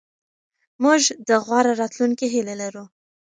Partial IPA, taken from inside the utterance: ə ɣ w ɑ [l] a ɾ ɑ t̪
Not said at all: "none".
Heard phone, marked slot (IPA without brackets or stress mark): ɾ